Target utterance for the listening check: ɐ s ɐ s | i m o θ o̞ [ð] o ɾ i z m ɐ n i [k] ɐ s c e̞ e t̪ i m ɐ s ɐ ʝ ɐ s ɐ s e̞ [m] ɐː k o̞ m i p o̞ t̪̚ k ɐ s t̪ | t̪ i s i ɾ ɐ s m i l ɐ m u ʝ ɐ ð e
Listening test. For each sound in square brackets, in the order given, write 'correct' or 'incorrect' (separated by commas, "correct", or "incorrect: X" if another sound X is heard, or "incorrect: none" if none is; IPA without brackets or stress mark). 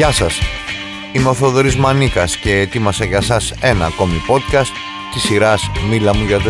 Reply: correct, correct, incorrect: n